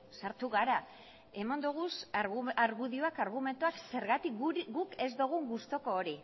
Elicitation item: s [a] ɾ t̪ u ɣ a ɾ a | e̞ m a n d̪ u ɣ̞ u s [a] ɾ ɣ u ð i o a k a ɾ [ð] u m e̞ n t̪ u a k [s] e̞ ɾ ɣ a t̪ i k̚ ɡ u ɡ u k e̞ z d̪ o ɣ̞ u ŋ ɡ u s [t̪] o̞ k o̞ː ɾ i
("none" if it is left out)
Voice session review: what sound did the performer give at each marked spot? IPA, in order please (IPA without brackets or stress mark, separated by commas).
a, a, ɣ, s, t̪